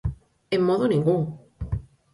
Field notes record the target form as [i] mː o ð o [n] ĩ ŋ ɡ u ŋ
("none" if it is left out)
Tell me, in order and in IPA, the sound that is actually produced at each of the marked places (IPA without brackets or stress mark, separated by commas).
e, n